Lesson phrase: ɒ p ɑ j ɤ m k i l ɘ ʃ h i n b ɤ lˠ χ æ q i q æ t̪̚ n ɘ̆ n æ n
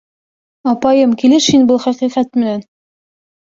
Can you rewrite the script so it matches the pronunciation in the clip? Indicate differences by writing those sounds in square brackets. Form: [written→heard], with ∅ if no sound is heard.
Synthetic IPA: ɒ p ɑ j ɤ m k i l ɘ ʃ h i n b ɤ lˠ χ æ q i q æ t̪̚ [n→m] ɘ̆ n æ n